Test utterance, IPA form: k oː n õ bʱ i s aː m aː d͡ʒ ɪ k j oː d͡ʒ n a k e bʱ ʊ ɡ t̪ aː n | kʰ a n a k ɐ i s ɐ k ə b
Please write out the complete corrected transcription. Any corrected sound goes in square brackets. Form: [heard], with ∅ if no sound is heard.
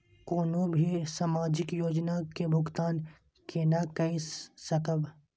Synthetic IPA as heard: k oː n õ bʱ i s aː m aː d͡ʒ ɪ k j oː d͡ʒ n a k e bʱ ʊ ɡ t̪ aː n | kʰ [e] n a k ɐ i s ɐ k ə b